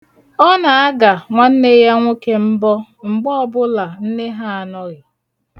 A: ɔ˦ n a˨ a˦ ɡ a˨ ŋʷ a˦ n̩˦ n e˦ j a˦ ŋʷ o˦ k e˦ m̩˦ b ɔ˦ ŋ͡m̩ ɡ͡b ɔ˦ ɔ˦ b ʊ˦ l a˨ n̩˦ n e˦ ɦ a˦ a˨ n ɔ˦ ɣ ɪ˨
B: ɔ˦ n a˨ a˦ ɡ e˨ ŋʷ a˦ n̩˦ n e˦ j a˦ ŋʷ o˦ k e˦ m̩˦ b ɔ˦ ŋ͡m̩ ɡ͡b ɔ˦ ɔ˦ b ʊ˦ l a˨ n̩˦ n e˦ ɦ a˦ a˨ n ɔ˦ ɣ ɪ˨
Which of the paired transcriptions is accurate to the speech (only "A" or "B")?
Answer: A